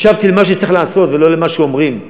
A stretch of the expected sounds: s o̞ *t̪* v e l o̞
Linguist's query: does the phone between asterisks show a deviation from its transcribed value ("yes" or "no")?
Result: no